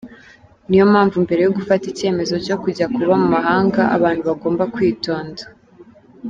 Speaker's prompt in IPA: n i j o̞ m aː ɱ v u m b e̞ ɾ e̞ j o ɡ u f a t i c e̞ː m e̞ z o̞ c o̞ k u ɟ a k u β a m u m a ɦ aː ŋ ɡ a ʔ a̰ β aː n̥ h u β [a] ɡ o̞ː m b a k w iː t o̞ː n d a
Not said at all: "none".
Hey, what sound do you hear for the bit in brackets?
a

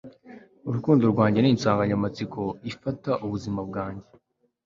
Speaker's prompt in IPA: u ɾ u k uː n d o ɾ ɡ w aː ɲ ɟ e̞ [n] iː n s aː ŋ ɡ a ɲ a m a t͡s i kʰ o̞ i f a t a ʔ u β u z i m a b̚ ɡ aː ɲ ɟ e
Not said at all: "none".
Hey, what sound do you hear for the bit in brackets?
n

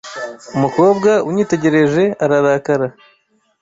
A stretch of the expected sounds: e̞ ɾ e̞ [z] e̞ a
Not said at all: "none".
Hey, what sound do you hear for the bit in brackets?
ʒ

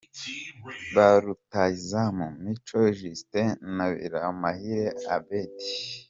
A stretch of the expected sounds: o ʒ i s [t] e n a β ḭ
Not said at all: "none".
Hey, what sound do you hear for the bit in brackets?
t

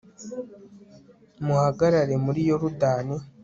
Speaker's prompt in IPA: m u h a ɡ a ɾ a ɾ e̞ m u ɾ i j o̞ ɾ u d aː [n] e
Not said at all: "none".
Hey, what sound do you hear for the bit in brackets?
n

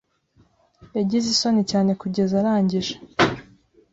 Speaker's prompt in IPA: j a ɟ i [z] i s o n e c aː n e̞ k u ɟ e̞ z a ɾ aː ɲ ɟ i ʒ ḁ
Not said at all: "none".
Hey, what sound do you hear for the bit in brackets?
z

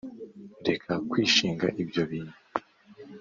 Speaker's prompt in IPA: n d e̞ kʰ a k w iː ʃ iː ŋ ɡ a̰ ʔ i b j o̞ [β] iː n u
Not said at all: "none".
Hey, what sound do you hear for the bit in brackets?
β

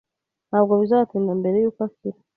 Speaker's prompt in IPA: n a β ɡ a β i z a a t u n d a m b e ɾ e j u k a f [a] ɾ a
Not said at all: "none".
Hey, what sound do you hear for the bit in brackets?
i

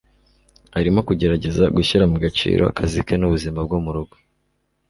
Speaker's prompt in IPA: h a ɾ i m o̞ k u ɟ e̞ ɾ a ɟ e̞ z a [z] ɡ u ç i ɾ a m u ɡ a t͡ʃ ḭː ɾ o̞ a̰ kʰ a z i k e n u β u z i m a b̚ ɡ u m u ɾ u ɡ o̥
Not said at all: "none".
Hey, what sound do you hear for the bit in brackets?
none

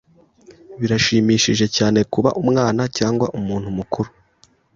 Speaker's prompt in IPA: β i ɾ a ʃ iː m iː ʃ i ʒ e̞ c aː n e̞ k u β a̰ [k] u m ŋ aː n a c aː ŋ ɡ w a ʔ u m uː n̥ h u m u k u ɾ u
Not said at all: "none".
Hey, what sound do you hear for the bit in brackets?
ʔ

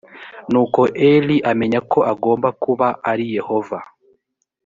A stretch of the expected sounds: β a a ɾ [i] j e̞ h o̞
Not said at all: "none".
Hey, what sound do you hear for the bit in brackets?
i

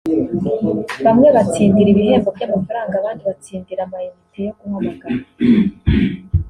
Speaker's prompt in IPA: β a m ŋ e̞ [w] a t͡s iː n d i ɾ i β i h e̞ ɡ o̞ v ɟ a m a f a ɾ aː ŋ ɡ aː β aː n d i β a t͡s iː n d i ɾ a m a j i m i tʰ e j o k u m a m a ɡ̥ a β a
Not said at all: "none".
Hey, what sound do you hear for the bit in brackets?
β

